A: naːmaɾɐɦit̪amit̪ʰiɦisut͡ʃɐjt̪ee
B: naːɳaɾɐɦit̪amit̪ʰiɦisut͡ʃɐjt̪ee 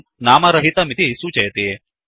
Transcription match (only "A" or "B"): A